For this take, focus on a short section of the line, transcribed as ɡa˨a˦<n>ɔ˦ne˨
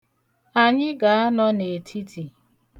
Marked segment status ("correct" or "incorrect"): correct